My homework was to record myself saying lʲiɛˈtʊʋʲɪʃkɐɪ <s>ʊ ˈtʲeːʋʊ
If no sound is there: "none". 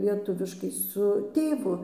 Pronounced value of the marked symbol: s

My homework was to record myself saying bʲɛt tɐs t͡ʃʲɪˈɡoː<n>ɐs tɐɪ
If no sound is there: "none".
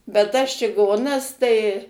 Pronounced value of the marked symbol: n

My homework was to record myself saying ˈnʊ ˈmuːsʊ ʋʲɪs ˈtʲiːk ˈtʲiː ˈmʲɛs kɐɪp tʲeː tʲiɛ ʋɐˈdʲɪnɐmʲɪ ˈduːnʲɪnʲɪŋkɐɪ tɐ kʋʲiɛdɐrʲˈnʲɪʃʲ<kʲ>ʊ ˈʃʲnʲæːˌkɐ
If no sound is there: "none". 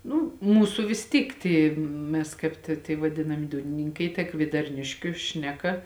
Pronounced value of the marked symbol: kʲ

